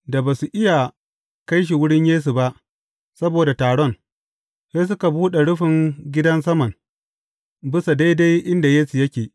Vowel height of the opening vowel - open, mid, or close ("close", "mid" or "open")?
open